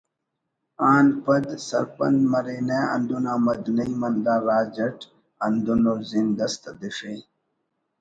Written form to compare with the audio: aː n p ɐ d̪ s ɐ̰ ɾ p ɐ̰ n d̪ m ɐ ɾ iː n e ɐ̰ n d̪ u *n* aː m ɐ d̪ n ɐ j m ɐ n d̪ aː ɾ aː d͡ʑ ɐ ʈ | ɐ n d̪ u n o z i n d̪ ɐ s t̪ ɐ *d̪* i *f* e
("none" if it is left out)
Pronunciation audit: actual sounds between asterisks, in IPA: n, d̪, ʂ

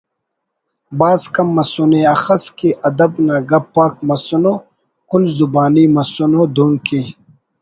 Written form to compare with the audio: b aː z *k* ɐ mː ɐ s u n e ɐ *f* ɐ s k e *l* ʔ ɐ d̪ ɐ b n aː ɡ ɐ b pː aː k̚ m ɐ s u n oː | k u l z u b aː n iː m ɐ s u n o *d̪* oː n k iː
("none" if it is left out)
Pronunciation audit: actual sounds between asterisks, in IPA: k, x, none, d̪

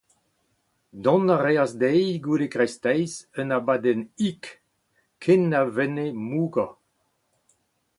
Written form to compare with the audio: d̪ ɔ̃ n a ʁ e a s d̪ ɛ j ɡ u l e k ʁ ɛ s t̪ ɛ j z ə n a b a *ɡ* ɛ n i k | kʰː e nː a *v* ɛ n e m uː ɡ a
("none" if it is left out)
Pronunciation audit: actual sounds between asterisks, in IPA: d, v

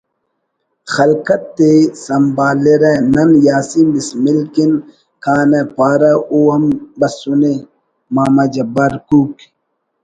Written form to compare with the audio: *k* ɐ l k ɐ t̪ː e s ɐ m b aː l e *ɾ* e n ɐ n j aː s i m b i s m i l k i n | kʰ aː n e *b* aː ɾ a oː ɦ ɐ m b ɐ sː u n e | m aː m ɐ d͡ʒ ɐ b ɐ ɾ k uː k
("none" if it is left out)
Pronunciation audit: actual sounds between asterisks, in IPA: x, ɾ, p

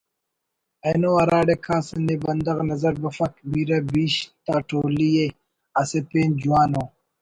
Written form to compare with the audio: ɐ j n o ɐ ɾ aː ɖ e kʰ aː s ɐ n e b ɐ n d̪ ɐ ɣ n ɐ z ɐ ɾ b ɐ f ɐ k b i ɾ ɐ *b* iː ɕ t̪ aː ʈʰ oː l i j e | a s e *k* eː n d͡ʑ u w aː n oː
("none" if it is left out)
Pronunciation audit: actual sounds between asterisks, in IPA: b, p

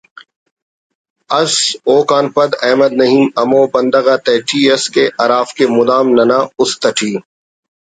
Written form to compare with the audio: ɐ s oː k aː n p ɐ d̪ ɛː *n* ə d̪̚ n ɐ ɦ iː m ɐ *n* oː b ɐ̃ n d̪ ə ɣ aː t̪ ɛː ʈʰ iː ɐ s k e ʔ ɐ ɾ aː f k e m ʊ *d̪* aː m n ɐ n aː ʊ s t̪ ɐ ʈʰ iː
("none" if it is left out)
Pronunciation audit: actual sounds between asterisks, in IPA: m, m, d̪

